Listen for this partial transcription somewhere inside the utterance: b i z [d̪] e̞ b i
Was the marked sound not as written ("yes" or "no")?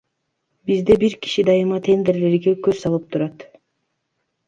no